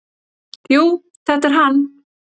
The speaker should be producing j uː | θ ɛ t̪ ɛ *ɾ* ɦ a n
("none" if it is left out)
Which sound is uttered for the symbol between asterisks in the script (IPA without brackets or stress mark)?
ɾ